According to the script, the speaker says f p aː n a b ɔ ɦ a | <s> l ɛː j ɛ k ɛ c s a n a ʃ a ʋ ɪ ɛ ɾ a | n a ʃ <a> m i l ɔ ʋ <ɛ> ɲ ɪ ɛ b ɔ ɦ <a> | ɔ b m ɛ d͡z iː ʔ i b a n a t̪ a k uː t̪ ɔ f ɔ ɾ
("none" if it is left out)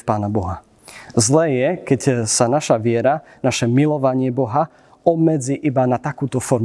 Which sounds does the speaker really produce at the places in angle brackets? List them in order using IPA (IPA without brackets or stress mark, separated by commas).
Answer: z, ɛ, a, a